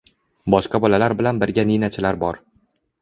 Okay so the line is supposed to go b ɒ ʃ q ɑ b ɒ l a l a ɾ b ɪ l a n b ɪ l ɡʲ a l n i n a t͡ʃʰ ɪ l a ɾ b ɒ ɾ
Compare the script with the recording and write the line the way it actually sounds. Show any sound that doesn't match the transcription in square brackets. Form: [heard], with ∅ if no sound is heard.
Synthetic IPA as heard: b ɒ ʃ q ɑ b ɒ l a l a ɾ b ɪ l a n b ɪ [ɾ] ɡʲ a [∅] n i n a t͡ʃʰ ɪ l a ɾ b ɒ ɾ